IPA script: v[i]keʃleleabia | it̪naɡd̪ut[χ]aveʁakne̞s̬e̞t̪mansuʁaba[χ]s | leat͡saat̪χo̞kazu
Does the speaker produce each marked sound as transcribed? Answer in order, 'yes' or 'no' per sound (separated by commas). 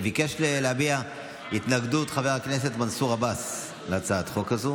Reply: yes, yes, no